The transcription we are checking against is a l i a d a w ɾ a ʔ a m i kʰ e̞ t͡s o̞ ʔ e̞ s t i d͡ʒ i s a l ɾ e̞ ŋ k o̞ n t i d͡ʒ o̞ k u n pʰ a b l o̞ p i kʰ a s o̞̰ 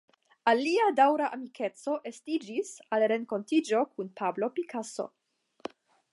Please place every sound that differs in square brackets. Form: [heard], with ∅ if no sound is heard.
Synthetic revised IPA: a l i a d a w ɾ a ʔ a m i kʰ e̞ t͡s o̞ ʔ e̞ s t i d͡ʒ i s a l ɾ e̞ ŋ k o̞ n t i d͡ʒ o̞ k u n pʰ a b l o̞ p i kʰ a s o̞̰